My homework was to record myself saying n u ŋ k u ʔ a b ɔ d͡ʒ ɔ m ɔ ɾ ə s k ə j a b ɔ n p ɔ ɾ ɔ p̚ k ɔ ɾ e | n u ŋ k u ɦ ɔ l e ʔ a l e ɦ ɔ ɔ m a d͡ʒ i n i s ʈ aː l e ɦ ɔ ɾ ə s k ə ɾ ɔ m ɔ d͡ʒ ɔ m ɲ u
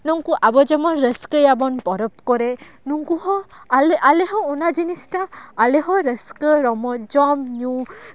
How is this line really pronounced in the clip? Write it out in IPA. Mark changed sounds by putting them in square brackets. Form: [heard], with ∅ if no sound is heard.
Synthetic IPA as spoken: n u ŋ k u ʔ a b ɔ d͡ʒ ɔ m ɔ ɾ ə s k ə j a b ɔ n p ɔ ɾ ɔ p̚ k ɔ ɾ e | n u ŋ k u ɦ ɔ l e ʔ a l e ɦ ɔ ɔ [n] a d͡ʒ i n i s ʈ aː l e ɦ ɔ ɾ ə s k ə ɾ ɔ m ɔ d͡ʒ ɔ m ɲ u